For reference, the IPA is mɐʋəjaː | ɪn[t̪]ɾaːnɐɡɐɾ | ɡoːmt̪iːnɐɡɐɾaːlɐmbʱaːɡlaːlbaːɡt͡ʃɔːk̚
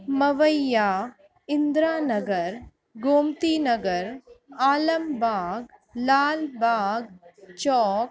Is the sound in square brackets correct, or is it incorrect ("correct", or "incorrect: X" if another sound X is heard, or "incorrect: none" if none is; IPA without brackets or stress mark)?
incorrect: d̪